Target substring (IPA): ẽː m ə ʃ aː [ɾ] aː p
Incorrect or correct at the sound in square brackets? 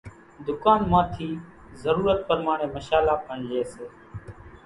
incorrect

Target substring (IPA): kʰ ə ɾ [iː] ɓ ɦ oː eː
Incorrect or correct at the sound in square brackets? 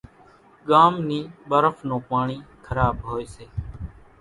incorrect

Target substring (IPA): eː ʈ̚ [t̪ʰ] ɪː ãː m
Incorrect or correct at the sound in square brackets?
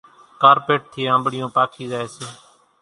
correct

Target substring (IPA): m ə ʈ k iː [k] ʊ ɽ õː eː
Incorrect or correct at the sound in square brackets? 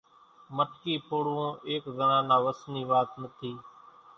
incorrect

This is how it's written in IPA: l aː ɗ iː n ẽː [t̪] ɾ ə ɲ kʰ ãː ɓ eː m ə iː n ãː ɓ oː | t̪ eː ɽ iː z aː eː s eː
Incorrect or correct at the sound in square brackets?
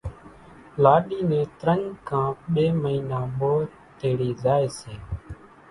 correct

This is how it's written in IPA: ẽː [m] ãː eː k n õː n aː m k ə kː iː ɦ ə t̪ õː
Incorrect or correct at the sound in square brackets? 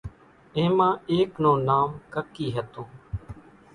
correct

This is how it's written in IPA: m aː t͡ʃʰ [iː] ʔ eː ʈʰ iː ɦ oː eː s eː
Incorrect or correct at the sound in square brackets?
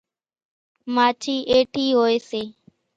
correct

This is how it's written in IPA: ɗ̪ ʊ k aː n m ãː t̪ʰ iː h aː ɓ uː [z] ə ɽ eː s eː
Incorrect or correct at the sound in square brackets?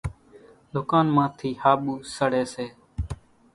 incorrect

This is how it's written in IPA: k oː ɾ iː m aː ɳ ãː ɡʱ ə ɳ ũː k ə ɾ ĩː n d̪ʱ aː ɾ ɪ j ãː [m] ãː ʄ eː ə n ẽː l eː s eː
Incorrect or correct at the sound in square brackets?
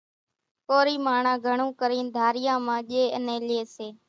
correct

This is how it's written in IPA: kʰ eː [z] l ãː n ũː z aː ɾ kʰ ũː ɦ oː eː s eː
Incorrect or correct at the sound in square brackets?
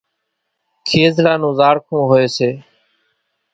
correct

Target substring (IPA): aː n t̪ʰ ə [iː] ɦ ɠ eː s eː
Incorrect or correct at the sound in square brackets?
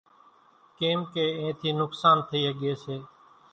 correct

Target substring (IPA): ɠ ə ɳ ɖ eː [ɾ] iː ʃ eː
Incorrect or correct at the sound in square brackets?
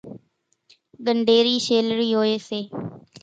correct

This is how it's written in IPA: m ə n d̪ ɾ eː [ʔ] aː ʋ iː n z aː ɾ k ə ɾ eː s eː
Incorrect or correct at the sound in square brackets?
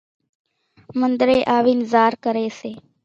correct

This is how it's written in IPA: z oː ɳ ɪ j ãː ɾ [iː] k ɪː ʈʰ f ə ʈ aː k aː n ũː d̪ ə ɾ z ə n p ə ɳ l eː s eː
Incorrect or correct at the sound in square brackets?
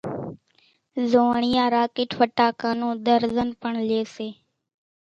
incorrect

